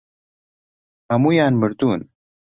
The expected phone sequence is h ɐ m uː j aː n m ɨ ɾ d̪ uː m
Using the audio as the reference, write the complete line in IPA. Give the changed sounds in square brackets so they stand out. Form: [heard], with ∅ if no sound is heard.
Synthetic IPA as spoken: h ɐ m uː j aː n m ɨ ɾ d̪ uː [n]